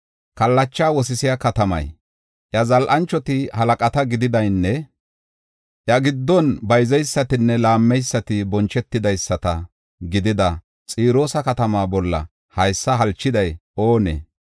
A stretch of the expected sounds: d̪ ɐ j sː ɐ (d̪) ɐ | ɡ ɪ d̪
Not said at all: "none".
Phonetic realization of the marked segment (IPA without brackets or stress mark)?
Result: t̪